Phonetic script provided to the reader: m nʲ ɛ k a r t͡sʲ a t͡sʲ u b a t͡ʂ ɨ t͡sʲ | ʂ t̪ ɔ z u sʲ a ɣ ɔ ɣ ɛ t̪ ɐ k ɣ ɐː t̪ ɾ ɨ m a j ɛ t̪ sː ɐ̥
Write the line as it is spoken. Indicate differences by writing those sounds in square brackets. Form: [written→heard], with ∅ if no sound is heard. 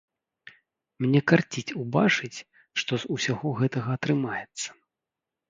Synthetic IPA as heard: m nʲ ɛ k a r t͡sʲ [a→i] t͡sʲ u b a t͡ʂ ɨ t͡sʲ | ʂ t̪ ɔ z u sʲ a ɣ ɔ ɣ ɛ t̪ ɐ [k→∅] ɣ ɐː t̪ ɾ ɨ m a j ɛ t̪ sː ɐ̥